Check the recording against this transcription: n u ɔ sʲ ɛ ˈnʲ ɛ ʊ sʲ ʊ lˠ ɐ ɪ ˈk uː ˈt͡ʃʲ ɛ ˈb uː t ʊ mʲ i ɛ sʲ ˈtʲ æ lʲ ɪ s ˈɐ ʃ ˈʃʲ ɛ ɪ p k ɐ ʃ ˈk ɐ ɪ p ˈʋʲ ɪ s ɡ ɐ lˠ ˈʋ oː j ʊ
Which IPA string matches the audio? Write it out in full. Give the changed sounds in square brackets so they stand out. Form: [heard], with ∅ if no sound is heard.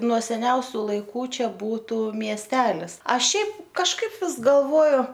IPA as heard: n u ɔ sʲ ɛ ˈnʲ ɛ ʊ sʲ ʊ lˠ ɐ ɪ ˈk uː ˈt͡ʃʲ ɛ ˈb uː t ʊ mʲ i ɛ sʲ ˈtʲ [æː] lʲ ɪ s ˈɐ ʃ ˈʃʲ ɛ ɪ p k ɐ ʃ ˈk ɐ ɪ p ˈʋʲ ɪ s ɡ ɐ lˠ ˈʋ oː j ʊ